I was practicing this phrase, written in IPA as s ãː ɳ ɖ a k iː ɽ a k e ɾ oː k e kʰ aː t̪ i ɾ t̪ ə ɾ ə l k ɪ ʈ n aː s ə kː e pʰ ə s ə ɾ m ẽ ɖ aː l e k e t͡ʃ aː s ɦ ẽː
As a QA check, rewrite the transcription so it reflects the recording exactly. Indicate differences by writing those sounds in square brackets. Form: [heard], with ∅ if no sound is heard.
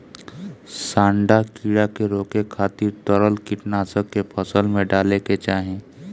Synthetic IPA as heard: s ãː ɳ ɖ a k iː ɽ a k e ɾ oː k e kʰ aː t̪ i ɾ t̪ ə ɾ ə l k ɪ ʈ n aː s ə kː e pʰ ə s ə [l] m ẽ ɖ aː l e k e t͡ʃ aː [∅] ɦ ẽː